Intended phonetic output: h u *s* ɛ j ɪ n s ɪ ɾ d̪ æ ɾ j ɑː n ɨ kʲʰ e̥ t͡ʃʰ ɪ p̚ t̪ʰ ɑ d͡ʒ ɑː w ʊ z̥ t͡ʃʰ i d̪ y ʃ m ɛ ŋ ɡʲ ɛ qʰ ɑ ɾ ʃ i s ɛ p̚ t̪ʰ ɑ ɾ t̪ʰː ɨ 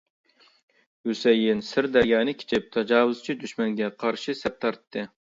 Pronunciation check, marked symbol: correct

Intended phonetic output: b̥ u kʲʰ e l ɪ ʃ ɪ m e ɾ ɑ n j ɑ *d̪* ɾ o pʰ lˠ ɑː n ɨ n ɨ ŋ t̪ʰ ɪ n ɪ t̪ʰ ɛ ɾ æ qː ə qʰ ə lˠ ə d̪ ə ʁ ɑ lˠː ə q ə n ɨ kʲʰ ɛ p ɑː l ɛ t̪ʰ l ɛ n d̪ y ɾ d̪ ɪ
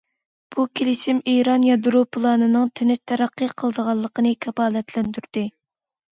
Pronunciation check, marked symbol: correct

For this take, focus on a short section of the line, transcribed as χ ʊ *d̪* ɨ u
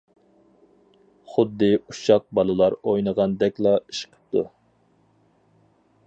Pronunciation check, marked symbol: incorrect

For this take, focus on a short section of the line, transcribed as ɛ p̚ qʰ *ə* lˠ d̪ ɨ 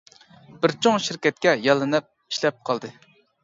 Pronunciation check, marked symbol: incorrect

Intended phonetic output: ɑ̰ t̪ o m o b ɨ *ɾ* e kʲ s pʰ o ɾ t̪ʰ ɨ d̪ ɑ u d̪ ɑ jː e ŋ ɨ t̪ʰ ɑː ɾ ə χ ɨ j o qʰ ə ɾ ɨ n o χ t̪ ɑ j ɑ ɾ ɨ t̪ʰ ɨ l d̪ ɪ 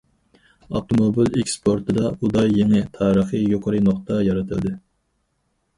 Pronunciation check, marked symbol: incorrect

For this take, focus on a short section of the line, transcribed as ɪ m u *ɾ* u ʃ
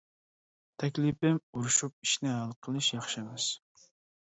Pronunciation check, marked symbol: correct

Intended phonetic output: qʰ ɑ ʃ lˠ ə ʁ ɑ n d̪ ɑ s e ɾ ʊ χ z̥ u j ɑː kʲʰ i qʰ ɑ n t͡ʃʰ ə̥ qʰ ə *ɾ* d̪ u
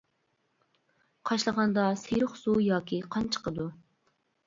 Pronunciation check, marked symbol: incorrect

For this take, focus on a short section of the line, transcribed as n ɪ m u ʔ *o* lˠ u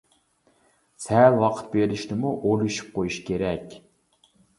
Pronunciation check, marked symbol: correct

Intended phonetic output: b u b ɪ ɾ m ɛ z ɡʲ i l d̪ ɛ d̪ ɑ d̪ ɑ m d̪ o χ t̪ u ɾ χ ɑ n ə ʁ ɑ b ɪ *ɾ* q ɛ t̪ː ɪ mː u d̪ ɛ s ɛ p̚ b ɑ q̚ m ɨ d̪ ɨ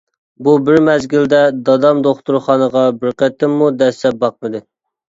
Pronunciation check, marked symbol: correct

